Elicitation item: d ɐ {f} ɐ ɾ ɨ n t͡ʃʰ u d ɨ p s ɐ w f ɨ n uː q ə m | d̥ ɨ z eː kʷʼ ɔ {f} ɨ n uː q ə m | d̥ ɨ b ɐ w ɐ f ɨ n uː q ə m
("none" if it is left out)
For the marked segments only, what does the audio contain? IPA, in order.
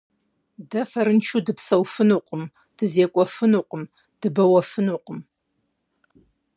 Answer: f, f

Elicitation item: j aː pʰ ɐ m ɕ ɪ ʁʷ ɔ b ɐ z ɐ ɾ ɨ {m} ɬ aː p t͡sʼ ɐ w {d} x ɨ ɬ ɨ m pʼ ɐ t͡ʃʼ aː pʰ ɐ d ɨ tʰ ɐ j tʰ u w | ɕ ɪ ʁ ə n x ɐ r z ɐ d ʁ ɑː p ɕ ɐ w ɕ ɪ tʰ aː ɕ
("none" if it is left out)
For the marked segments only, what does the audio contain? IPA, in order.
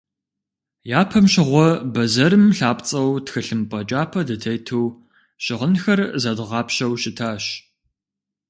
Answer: m, t

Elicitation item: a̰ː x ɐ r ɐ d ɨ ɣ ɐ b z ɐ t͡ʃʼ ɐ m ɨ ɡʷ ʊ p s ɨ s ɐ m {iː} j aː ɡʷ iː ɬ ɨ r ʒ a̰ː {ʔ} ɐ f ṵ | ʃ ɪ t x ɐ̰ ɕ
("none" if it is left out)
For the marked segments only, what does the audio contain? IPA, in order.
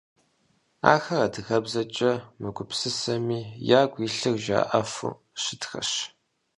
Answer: iː, ʔ

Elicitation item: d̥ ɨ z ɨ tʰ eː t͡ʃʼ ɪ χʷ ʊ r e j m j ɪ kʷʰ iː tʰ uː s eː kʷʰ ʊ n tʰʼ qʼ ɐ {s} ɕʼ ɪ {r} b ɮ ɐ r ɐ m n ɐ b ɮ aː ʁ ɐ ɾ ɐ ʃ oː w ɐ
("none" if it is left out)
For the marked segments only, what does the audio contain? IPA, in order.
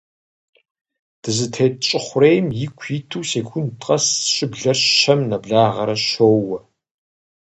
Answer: s, none

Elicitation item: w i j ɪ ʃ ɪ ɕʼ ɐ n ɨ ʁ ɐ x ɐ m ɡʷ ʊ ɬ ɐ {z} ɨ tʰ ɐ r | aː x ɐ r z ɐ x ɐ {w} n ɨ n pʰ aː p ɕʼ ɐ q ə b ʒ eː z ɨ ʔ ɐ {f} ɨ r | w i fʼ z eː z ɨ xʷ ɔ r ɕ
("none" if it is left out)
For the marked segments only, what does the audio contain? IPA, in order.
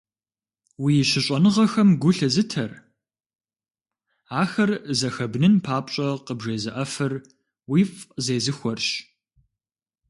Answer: z, b, f

